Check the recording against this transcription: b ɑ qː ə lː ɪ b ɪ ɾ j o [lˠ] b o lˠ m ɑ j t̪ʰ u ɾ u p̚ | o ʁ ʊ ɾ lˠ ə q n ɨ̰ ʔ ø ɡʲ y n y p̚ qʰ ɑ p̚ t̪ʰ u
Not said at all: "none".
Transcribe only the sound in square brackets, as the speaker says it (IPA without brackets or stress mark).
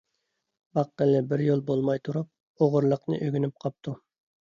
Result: lˠ